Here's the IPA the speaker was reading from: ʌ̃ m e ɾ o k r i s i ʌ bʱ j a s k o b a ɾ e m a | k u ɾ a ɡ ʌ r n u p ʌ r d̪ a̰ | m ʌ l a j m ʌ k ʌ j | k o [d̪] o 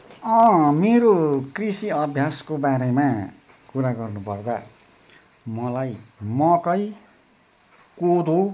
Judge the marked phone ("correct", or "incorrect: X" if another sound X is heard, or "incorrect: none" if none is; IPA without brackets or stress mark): correct